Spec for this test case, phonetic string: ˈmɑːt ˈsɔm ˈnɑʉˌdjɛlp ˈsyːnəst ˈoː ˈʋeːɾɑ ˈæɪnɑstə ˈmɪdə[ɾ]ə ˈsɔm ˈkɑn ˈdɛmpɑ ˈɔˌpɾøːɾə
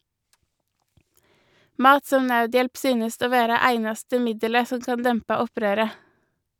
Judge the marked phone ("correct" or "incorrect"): incorrect